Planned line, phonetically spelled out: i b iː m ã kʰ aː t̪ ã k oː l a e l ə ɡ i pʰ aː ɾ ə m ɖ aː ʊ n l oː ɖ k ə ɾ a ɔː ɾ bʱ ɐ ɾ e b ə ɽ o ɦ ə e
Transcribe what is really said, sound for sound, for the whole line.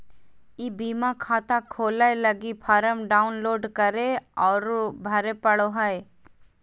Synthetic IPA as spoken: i b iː m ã kʰ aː t̪ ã kʰ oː l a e l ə ɡ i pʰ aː ɾ ə m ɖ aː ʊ n l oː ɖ k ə ɾ e ɔː ɾ bʱ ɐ ɾ e p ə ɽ o ɦ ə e